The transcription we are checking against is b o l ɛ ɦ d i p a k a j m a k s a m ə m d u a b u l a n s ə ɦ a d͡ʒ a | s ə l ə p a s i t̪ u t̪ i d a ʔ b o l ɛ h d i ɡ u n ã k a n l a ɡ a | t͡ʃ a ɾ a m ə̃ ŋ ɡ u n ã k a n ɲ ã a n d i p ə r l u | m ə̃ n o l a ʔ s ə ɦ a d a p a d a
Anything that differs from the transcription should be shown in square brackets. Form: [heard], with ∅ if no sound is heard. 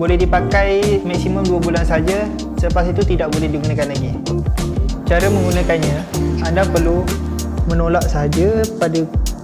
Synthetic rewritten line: b o l ɛ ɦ d i p a k a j m a k s [i] m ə m d u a b u l a n s ə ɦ a d͡ʒ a | s ə l ə p a s i t̪ u t̪ i d a ʔ b o l ɛ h d i ɡ u n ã k a n l a ɡ [i] | t͡ʃ a ɾ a m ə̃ ŋ ɡ u n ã k a n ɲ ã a n d [a] p ə r l u | m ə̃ n o l a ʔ s ə ɦ a [d͡ʒ] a p a d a